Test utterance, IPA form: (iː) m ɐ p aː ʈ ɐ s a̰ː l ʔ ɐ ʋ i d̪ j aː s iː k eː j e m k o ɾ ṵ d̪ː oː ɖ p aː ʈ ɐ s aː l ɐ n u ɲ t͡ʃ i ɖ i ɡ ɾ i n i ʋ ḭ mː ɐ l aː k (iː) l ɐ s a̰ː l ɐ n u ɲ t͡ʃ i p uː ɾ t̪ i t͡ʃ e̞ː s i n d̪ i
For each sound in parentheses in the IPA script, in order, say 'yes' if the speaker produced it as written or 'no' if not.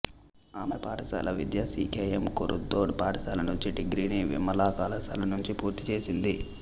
no, no

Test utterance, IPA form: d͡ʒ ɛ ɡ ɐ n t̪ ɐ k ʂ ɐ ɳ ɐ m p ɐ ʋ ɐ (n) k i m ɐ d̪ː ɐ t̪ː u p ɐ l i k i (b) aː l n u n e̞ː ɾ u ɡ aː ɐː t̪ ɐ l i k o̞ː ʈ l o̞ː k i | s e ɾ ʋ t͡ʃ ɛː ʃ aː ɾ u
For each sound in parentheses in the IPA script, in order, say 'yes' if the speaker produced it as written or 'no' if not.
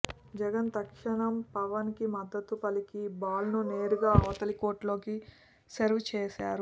yes, yes

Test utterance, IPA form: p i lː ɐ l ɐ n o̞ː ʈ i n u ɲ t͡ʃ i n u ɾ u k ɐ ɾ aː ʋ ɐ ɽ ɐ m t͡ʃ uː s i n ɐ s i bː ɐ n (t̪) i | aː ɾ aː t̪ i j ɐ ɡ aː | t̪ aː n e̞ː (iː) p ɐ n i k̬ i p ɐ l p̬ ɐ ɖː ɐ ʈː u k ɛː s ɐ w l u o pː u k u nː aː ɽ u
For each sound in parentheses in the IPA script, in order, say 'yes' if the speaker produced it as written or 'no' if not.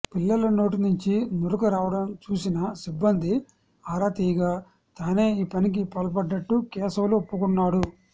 no, yes

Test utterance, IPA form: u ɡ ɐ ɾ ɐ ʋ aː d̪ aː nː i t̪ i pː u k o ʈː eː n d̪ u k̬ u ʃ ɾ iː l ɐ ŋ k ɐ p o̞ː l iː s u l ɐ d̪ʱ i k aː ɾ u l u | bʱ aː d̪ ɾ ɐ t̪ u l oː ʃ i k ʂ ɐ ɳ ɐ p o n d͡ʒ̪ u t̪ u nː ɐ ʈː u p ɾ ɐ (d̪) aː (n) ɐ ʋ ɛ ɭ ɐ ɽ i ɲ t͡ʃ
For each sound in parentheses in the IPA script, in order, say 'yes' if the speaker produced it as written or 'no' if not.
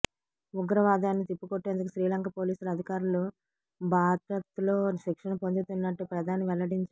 yes, yes

